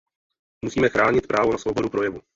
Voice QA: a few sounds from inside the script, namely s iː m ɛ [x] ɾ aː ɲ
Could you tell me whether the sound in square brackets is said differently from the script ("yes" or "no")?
no